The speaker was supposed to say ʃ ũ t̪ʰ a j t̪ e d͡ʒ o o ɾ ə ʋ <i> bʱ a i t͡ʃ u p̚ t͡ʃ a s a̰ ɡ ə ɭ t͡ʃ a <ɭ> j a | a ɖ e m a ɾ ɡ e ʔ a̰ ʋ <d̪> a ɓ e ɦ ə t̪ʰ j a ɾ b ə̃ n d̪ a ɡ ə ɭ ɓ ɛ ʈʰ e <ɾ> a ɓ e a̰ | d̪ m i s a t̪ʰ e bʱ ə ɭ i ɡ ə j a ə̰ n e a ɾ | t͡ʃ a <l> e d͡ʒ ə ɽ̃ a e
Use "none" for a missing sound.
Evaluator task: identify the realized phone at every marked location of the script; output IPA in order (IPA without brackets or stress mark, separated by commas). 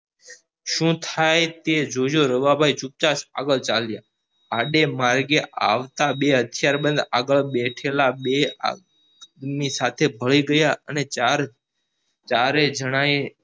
a, l, t̪, l, ɾ